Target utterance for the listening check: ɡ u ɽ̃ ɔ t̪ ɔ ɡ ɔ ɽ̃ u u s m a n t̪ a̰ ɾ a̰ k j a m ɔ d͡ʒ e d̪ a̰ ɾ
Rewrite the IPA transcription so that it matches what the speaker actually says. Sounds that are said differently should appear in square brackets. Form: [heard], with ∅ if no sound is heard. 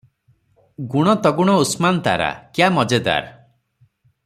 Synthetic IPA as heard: ɡ u ɽ̃ ɔ t̪ ɔ ɡ [u] ɽ̃ [ɔ] u s m a n t̪ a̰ ɾ a̰ k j a m ɔ d͡ʒ e d̪ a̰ ɾ